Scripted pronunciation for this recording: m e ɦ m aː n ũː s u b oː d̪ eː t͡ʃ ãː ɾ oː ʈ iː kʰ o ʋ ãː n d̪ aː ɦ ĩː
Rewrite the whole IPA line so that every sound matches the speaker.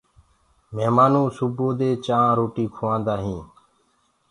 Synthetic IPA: m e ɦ m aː n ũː s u b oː d̪ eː t͡ʃ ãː ɾ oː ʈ iː kʰ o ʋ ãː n d̪ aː ɦ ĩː